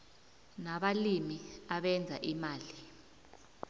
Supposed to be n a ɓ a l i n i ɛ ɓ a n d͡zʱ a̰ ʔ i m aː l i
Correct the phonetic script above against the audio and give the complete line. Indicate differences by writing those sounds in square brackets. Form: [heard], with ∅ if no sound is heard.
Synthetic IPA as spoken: n a ɓ a l i [m] i [a] ɓ [ɛ] n d͡zʱ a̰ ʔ i m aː l i